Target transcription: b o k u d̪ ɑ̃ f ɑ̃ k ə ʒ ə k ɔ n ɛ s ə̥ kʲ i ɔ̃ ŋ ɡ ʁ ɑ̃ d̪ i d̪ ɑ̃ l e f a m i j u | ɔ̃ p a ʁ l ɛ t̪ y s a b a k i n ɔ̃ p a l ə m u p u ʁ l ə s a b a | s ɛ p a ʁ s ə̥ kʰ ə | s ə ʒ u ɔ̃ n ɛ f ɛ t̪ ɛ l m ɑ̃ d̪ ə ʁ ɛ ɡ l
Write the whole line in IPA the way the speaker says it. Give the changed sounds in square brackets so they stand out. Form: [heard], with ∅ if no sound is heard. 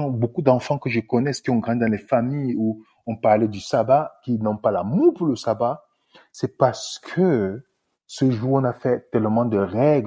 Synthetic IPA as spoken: b o k u d̪ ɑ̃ f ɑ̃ k ə ʒ ə k ɔ n ɛ s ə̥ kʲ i ɔ̃ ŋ ɡ ʁ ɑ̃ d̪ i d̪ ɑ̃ l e f a m i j u | ɔ̃ p a ʁ l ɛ [d̪] y s a b a k i n ɔ̃ p a l [a] m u p u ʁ l ə s a b a | s ɛ p a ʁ s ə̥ kʰ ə | s ə ʒ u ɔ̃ n [a] f ɛ t̪ ɛ l m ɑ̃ d̪ ə ʁ ɛ ɡ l